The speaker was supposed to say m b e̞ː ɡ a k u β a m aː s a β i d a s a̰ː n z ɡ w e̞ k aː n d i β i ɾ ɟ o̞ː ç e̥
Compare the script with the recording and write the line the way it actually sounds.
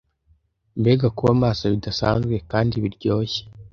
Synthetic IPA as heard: m b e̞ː ɡ a k u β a m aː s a β i d a s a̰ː n z ɡ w e̞ k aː n d i β i ɾ ɟ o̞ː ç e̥

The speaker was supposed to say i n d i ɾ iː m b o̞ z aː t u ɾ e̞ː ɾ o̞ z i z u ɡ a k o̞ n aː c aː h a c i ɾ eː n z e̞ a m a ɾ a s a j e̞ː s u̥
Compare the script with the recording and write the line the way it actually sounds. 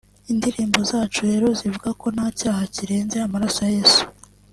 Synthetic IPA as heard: i n d i ɾ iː m b o̞ z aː t͡ʃ u ɾ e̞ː ɾ o̞ z i v u ɡ a k o̞ n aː c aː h a c i ɾ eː n z e̞ a m a ɾ a s a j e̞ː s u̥

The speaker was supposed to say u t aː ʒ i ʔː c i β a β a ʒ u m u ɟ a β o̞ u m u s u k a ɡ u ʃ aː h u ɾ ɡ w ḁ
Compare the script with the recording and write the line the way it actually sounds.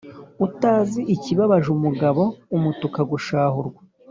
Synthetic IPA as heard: u t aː z i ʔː c i β a β a ʒ u m u ɡ a β o̞ u m u t u k a ɡ u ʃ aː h u ɾ ɡ w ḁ

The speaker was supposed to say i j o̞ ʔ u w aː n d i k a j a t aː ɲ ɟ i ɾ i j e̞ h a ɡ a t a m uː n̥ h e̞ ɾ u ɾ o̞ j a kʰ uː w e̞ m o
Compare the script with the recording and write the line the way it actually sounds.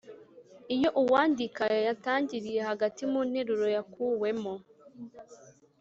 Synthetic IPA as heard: i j o̞ ʔ u w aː n d i k a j a t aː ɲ ɟ i ɾ i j e̞ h a ɡ a t i m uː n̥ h e̞ ɾ u ɾ o̞ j a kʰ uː w e̞ m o

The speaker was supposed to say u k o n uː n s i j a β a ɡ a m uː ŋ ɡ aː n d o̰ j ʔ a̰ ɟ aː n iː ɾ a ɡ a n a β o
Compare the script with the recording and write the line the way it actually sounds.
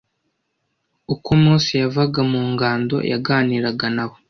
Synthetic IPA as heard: u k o m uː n s i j a v a ɡ a m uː ŋ ɡ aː n d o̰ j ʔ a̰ ɡ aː n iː ɾ a ɡ a n a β o

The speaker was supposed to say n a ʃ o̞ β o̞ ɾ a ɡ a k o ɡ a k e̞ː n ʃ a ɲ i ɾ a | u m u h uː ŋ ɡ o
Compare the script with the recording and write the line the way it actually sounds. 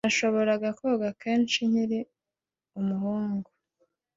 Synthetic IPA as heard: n a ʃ o̞ β o̞ ɾ a ɡ a k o ɡ a k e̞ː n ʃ i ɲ i ɾ i | u m u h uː ŋ ɡ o

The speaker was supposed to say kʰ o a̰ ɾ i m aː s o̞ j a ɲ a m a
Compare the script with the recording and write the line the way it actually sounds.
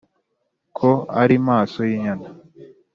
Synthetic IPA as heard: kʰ o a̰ ɾ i m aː s o̞ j i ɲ a n a

